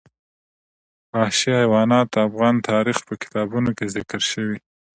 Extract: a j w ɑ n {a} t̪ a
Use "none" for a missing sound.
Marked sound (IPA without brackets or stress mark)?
ɑ